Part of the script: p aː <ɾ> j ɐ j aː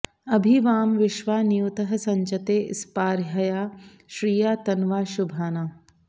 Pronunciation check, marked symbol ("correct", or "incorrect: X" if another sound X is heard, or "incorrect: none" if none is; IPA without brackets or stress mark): correct